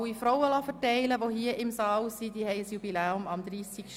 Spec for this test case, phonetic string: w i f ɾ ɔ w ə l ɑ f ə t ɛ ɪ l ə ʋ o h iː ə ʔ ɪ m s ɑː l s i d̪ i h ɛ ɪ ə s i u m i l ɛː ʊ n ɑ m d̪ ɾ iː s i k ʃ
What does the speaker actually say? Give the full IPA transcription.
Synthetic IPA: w i f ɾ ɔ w ə l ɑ f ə t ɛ ɪ l ə ʋ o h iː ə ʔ ɪ m s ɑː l s i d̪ i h ɛ ɪ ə s j u b i l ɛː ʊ m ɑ m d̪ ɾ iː s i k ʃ